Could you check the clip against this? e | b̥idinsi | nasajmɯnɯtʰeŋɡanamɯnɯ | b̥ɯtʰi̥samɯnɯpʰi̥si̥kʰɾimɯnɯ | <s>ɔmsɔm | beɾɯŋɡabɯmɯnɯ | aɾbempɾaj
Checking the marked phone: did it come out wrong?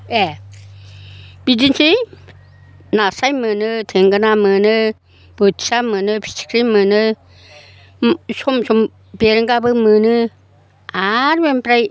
no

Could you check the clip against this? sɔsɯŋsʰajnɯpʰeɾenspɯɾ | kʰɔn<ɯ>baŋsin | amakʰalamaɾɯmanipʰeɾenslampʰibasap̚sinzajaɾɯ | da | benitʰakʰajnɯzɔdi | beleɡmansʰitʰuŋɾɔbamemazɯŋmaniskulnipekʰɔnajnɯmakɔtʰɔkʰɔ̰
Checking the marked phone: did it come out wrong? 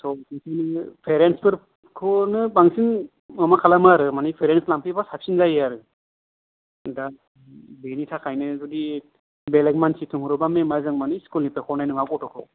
no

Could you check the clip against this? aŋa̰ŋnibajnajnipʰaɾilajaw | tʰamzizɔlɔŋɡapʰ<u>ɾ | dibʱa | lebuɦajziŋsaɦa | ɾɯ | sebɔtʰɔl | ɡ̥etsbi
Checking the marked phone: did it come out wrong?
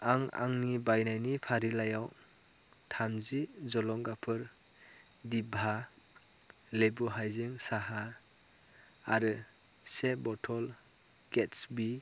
yes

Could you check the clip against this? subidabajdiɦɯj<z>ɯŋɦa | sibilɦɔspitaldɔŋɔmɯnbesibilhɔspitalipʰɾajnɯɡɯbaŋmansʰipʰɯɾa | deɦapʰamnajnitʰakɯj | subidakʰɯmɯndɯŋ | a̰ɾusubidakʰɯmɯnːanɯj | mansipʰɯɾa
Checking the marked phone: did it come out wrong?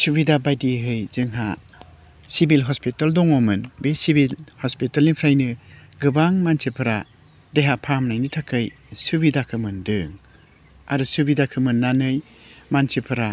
no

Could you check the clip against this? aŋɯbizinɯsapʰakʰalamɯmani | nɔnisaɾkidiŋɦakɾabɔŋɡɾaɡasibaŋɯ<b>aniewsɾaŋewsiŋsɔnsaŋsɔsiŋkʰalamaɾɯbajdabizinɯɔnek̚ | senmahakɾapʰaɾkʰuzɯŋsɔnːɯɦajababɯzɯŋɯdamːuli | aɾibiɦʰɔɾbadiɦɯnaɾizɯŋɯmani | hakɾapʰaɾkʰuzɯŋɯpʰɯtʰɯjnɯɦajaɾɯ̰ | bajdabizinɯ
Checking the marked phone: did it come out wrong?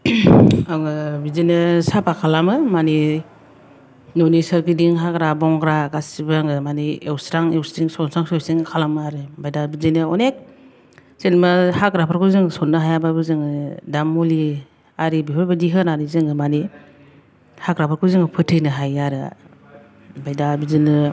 yes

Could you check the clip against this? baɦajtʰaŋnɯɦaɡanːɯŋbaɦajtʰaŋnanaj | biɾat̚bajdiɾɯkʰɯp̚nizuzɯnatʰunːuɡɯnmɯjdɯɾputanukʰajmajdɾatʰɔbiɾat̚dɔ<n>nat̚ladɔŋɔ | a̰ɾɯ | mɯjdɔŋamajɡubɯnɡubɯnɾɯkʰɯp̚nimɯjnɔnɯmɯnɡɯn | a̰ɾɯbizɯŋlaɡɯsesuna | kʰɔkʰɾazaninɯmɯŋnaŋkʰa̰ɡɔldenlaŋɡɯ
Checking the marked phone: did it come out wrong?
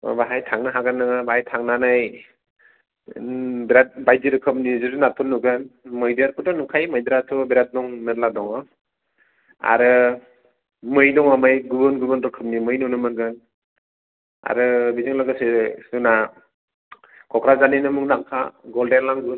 yes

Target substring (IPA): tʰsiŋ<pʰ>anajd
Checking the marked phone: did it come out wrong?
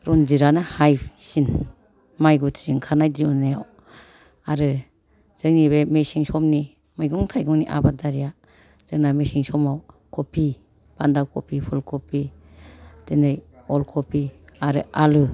yes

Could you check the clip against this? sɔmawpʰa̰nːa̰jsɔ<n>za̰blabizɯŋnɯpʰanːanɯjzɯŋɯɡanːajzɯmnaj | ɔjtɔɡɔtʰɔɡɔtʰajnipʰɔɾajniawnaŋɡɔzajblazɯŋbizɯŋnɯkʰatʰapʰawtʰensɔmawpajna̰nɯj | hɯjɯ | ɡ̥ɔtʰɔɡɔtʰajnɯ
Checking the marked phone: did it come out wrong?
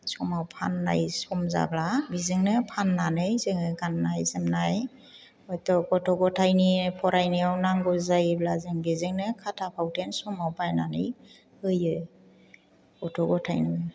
yes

